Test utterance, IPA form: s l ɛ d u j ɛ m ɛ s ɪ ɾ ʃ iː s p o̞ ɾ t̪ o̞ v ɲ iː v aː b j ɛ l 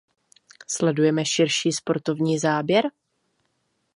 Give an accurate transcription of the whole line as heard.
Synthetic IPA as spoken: s l ɛ d u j ɛ m ɛ ʃ ɪ ɾ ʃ iː s p o̞ ɾ t̪ o̞ v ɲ iː z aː b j ɛ ɾ

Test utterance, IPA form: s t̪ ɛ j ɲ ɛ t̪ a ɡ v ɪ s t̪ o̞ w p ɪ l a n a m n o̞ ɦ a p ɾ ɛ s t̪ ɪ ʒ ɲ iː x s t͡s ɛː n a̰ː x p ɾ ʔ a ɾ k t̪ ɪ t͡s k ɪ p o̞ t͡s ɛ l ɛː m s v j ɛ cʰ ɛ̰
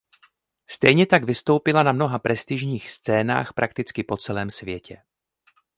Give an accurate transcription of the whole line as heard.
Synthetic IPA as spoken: s t̪ ɛ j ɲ ɛ t̪ a ɡ v ɪ s t̪ o̞ w p ɪ l a n a m n o̞ ɦ a p ɾ ɛ s t̪ ɪ ʒ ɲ iː x s t͡s ɛː n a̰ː x p ɾ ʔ a k t̪ ɪ t͡s k ɪ p o̞ t͡s ɛ l ɛː m s v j ɛ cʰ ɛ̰

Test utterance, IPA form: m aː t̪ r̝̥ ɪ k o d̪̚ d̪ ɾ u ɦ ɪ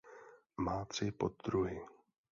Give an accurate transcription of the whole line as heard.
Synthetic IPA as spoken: m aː t̪ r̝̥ ɪ p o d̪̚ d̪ ɾ u ɦ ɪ

